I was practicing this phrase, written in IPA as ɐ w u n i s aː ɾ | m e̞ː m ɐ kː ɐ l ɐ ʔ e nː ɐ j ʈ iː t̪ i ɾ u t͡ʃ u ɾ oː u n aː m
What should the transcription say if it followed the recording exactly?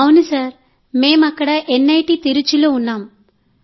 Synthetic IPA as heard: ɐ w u n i s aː ɾ | m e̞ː m ɐ kː ɐ ɽ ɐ ʔ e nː ɐ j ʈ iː t̪ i ɾ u t͡ʃ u l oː u nː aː m

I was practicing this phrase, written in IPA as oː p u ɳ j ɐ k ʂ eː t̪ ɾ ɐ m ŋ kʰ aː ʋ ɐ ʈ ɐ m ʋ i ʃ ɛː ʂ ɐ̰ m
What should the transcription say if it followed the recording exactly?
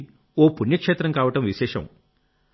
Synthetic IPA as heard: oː p u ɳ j ɐ k ʂ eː t̪ ɾ ɐ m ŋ k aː ʋ ɐ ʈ ɐ m ʋ i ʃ ɛː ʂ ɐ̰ m

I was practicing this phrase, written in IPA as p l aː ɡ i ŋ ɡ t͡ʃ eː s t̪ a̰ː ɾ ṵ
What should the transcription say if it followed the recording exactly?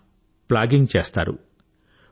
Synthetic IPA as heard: p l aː ɡ i ŋ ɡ t͡ʃ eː s t̪ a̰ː ɾ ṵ

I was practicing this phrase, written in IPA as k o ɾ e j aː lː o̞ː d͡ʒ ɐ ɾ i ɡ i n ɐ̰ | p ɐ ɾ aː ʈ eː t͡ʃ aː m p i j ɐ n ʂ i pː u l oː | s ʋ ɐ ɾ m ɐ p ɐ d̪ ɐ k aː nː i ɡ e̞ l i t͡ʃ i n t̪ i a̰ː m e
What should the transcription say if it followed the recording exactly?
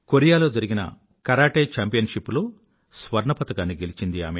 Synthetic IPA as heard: k o ɾ i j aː l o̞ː d͡ʒ ɐ ɾ i ɡ i n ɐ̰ | k ɐ ɾ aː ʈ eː t͡ʃ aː m p i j ɐ n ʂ i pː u l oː | s ʋ ɐ ɾ ɳ ɐ p ɐ t̪ ɐ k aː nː i ɡ e̞ l i t͡ʃ i n d̪ i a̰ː m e

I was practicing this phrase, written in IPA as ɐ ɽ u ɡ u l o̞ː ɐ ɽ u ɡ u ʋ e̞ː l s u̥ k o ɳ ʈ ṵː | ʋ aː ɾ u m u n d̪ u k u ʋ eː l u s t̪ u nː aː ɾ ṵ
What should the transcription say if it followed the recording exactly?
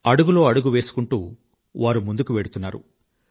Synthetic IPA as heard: ɐ ɽ u ɡ u l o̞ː ɐ ɽ u ɡ u ʋ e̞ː s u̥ k u ɳ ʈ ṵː | ʋ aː ɾ u m u n d̪ u k u ʋ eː ɽ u t̪ u nː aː ɾ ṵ

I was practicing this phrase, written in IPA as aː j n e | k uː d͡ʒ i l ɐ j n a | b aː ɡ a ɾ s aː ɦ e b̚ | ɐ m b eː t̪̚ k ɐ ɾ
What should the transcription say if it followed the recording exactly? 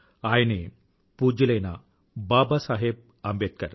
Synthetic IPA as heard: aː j n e | p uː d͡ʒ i l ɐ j n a | b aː b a s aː ɦ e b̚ | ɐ m b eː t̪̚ k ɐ ɾ

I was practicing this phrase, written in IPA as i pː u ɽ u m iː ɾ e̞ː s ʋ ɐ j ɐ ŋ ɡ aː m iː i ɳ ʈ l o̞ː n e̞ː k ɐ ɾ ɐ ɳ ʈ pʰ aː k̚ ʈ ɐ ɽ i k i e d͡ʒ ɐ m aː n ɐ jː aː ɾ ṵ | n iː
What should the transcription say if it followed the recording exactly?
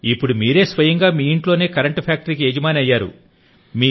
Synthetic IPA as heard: i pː u ɽ u m iː ɾ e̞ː s ʋ ɐ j ɐ ŋ ɡ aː m iː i ɳ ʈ l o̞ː n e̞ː k ɐ ɾ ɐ ɳ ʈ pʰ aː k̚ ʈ ɐ ɾ i k i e d͡ʒ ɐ m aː n ɐ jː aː ɾ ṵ | m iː

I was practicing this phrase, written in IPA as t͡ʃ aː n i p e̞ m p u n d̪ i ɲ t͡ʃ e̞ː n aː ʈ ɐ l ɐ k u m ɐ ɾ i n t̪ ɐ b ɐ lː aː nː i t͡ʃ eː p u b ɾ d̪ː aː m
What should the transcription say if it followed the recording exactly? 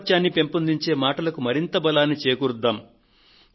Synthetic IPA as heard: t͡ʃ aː nː i p e̞ m p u n d̪ i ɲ t͡ʃ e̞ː m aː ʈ ɐ l ɐ k u m ɐ ɾ i n t̪ ɐ b ɐ l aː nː i t͡ʃ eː k u ɾ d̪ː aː m

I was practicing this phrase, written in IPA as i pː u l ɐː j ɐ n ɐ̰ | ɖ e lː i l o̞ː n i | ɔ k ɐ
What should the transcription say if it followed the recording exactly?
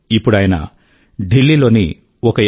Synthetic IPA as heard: i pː u ɽ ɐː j ɐ n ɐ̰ | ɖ i lː i l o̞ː n i | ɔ k ɐ

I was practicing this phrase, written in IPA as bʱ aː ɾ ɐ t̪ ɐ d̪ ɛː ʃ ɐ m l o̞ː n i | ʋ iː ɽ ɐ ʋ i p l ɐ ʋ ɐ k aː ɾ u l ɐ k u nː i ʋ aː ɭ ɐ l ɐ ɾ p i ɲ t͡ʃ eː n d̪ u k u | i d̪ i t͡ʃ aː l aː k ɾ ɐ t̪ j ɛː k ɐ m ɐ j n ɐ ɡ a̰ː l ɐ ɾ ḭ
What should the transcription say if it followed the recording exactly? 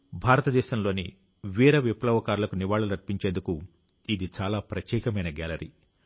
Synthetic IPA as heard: bʱ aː ɾ ɐ t̪ ɐ d̪ ɛː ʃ ɐ m l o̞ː n i | ʋ iː ɾ ɐ ʋ i p l ɐ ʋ ɐ k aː ɾ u l ɐ k u n i ʋ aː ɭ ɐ l ɐ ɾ p i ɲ t͡ʃ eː n d̪ u k u | i d̪ i t͡ʃ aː l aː p ɾ ɐ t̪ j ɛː k ɐ m ɐ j n ɐ ɡ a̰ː l ɐ ɾ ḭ

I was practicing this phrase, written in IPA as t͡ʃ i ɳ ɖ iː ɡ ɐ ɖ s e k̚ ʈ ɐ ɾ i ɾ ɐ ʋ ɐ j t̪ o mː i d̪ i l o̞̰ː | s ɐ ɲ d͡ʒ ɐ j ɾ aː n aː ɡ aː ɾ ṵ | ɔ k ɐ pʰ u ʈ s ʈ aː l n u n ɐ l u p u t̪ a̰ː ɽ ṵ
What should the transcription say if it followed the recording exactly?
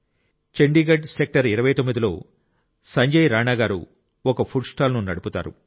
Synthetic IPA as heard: t͡ʃ e ɳ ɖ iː ɡ ɐ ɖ s e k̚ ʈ ɐ ɾ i ɾ ɐ ʋ ɐ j t̪ o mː i d̪ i l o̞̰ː | s ɐ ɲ d͡ʒ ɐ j ɾ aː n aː ɡ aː ɾ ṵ | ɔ k ɐ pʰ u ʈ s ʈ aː l n u n ɐ ɽ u p u t̪ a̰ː ɾ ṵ

